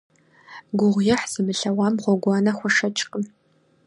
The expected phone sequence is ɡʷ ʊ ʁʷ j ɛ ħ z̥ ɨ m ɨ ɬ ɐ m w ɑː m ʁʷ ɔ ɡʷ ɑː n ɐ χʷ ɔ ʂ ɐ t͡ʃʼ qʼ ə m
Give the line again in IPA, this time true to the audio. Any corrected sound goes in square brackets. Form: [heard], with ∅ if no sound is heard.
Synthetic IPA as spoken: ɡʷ ʊ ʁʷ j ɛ ħ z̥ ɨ m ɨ ɬ ɐ [∅] w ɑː m ʁʷ ɔ ɡʷ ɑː n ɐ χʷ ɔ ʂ ɐ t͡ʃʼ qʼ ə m